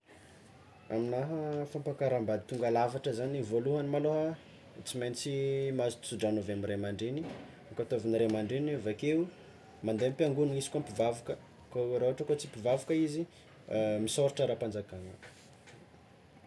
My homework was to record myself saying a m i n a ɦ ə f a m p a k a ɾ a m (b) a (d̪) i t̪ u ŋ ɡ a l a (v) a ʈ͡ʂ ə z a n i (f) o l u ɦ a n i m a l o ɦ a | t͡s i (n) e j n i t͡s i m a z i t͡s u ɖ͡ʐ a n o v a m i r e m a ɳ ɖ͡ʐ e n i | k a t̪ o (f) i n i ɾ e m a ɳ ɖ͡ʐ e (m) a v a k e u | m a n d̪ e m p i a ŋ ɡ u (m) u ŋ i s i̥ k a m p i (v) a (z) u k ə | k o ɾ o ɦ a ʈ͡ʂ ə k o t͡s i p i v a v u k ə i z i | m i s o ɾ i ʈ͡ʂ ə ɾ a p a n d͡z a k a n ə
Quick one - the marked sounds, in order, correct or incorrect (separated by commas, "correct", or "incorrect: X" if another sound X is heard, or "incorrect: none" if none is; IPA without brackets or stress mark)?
correct, correct, correct, incorrect: v, incorrect: m, incorrect: v, incorrect: n, incorrect: n, correct, incorrect: v